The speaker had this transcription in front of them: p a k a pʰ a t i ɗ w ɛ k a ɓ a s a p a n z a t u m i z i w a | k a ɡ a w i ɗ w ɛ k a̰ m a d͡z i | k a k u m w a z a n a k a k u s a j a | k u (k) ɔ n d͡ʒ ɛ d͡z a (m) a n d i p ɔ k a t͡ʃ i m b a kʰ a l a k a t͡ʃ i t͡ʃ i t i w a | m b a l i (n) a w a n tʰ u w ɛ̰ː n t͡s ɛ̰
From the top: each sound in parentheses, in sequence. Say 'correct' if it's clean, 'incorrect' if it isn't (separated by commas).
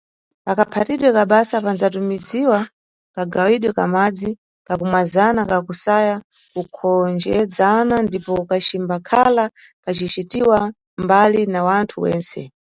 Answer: incorrect, incorrect, correct